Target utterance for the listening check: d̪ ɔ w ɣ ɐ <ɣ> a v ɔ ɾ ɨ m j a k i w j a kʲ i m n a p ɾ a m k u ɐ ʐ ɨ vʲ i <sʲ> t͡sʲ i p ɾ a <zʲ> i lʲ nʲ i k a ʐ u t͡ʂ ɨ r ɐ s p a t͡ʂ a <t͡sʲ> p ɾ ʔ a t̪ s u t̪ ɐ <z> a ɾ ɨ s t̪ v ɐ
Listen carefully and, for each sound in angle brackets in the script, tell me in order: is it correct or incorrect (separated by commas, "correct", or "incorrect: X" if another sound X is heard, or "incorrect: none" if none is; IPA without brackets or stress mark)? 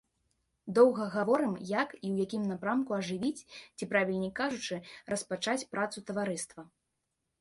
correct, incorrect: t͡sʲ, incorrect: vʲ, correct, incorrect: v